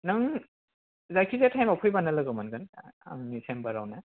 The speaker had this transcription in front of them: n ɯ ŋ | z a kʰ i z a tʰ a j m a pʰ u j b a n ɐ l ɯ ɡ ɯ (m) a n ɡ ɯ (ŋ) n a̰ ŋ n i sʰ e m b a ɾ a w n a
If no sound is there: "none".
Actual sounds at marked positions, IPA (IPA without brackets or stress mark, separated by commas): m, none